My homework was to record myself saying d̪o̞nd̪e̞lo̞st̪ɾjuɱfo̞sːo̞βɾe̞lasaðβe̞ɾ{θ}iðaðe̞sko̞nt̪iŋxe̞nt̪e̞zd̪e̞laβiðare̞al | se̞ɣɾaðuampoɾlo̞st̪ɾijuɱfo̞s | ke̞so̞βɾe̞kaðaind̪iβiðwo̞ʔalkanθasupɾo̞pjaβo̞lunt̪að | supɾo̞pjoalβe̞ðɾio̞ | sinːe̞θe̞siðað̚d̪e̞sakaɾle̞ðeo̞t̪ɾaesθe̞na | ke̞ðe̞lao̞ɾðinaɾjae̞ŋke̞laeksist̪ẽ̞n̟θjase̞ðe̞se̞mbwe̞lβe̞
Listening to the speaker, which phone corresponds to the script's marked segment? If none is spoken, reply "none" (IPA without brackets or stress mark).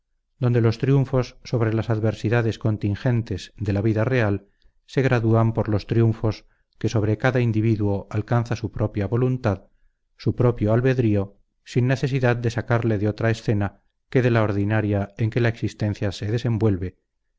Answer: s